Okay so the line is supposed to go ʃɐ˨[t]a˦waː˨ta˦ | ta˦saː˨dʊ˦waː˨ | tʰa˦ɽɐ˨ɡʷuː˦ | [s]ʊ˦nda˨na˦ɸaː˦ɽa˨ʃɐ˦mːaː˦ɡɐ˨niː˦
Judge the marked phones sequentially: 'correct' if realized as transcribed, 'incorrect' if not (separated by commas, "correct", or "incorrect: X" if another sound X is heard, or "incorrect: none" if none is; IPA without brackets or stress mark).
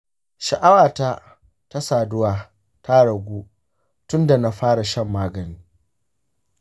incorrect: ʔ, incorrect: t